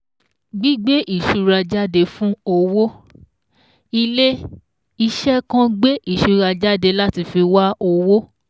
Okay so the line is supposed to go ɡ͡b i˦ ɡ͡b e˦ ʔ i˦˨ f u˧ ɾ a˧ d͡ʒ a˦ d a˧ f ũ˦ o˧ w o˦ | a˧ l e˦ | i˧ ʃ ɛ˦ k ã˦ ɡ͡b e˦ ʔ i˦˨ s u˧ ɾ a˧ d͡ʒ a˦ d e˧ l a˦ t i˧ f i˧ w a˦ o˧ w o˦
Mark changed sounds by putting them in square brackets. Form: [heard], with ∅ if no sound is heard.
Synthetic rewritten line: ɡ͡b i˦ ɡ͡b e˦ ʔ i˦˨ [ʃ] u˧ ɾ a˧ d͡ʒ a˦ d [e˧] f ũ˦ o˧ w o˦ | [i˧] l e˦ | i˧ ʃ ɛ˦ k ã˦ ɡ͡b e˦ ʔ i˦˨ [ʃ] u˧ ɾ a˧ d͡ʒ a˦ d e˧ l a˦ t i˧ f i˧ w a˦ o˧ w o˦